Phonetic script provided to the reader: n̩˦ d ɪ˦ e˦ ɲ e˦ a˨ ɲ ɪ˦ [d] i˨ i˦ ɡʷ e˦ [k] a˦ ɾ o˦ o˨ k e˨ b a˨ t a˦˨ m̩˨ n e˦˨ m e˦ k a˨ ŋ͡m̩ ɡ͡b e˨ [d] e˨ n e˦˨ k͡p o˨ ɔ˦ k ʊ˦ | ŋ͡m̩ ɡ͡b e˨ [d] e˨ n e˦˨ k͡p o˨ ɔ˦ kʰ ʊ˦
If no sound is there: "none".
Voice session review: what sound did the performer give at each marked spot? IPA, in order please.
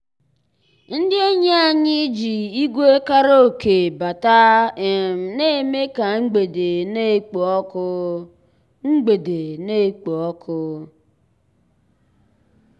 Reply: d͡ʒ, k, d, d

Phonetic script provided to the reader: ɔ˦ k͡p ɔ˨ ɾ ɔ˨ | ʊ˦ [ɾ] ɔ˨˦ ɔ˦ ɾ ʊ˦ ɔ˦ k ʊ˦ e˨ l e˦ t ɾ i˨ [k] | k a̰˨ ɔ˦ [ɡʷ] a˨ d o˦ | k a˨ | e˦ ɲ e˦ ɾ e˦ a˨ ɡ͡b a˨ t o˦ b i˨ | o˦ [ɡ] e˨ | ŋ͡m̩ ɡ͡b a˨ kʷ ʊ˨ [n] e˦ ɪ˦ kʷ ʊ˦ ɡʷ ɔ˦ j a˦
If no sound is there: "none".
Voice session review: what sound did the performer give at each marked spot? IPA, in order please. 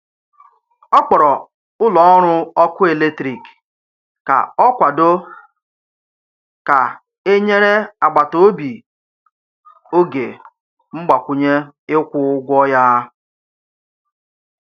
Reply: l, k, kʷ, ɡ, ɲ

